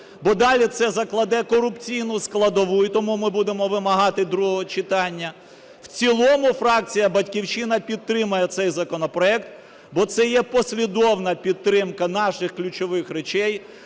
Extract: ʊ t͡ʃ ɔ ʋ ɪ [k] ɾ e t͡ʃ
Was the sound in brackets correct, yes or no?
no